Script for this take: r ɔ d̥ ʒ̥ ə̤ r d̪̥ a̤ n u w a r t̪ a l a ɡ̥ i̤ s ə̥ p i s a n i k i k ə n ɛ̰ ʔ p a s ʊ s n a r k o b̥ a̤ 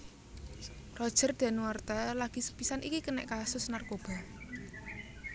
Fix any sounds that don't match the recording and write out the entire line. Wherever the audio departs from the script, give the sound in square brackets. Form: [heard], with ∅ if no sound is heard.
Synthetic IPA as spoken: r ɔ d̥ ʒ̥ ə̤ r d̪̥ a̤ n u w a r t̪ a l a ɡ̥ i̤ s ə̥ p i s a n i k i k ə n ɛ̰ ʔ [k] a s ʊ s n a r k o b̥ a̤